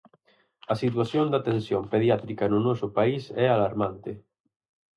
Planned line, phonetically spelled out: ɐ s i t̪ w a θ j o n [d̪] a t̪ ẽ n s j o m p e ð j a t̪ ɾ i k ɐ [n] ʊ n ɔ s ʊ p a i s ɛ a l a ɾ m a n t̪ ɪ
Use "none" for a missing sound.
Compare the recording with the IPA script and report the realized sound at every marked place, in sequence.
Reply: d̪, n

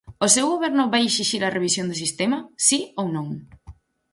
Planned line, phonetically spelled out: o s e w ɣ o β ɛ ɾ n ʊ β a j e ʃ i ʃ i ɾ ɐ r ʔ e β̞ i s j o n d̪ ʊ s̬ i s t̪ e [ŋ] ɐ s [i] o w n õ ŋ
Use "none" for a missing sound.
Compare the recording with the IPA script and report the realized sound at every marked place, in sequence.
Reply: m, i

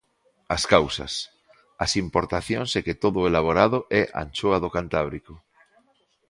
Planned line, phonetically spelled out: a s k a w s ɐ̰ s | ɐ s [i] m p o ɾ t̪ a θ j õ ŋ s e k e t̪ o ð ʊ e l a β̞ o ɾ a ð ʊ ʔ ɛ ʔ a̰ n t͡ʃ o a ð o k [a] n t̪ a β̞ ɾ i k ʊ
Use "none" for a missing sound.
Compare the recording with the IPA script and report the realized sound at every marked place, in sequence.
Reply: i, a

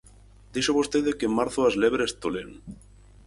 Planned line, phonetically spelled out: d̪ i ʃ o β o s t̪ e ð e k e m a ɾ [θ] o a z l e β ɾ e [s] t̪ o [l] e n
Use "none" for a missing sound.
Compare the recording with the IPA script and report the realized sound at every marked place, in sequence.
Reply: θ, s, l

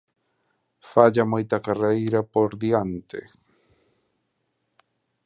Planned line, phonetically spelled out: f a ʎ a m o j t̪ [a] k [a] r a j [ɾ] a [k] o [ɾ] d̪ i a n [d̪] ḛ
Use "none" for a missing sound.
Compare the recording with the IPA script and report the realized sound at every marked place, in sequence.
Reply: a, a, ɾ, p, ɾ, t̪

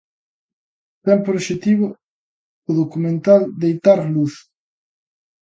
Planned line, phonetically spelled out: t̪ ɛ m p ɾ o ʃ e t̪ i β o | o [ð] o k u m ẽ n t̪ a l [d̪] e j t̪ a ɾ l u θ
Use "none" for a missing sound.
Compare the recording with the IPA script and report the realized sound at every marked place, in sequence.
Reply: ð, d̪

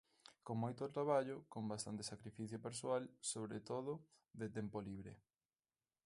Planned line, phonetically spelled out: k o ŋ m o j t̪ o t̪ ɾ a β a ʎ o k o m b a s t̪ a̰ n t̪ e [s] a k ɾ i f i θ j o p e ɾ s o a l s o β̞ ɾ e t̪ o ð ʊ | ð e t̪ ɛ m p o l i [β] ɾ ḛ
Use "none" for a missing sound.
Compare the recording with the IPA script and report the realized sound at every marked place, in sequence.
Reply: s, β

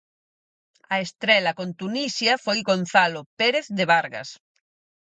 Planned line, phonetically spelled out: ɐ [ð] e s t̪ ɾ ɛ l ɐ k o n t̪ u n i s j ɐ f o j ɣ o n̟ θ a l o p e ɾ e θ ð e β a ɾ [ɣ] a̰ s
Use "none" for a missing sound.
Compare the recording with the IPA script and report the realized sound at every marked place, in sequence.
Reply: none, ɣ

